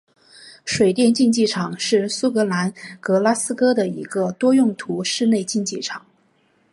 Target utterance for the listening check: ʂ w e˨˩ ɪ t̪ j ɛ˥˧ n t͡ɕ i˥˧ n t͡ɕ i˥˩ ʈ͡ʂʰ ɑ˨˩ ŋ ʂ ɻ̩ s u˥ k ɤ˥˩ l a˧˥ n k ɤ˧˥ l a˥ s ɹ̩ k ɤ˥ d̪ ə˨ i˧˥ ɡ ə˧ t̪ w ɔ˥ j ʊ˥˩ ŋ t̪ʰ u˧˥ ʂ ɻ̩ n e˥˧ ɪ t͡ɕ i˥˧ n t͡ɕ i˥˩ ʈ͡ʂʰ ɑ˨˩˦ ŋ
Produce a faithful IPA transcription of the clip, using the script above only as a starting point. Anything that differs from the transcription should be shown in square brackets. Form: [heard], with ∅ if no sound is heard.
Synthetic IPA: ʂ w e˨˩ ɪ t̪ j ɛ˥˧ n t͡ɕ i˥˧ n t͡ɕ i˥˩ ʈ͡ʂʰ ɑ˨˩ ŋ ʂ ɻ̩ s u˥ k [ɤ˧˥] l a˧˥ n k ɤ˧˥ l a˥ s ɹ̩ k ɤ˥ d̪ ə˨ i˧˥ ɡ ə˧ t̪ w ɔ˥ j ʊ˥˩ ŋ t̪ʰ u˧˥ ʂ ɻ̩ n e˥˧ ɪ t͡ɕ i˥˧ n t͡ɕ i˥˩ ʈ͡ʂʰ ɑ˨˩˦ ŋ